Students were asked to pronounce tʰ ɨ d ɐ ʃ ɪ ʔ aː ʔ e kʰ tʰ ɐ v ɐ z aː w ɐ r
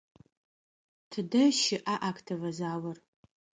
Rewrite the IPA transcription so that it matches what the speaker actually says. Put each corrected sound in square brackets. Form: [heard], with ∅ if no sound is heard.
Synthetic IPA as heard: tʰ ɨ d ɐ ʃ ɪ ʔ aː ʔ [a] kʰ tʰ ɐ v ɐ z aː w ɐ r